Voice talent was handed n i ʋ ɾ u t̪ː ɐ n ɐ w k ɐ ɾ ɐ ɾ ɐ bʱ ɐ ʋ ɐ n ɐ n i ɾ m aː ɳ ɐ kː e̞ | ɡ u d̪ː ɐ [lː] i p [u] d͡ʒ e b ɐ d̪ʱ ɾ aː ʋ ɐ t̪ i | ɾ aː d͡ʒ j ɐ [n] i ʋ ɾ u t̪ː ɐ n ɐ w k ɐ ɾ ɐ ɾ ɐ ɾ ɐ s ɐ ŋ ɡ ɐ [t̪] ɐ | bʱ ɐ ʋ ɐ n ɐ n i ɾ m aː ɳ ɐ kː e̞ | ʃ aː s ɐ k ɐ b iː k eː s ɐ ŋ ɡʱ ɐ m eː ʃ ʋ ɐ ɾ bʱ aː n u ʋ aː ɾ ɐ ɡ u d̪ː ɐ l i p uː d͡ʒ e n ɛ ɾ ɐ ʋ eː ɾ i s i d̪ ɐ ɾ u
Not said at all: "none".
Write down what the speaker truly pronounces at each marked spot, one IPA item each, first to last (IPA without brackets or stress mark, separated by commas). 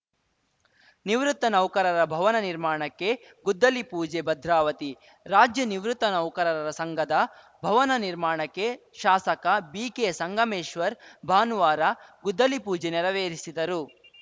l, uː, n, d̪